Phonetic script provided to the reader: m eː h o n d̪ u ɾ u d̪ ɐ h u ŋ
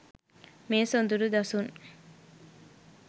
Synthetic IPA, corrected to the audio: m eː s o n d̪ u ɾ u d̪ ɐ s u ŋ